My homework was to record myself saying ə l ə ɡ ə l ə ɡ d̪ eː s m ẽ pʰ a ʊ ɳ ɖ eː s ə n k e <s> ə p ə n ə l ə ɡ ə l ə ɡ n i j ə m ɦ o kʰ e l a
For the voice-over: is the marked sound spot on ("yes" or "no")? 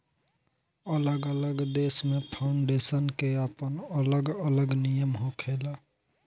no